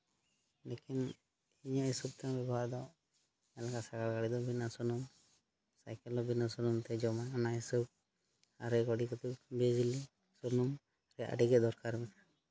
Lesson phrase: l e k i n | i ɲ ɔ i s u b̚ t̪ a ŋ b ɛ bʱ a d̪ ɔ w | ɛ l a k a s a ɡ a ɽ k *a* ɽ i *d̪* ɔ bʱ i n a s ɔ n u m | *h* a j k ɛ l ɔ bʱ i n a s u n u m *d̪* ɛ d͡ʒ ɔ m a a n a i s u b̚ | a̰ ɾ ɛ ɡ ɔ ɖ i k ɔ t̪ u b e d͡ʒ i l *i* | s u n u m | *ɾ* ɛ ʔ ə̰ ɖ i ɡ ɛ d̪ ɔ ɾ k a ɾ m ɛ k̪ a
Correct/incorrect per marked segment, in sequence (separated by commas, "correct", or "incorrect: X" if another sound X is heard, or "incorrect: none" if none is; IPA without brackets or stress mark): correct, correct, incorrect: s, incorrect: t̪, correct, correct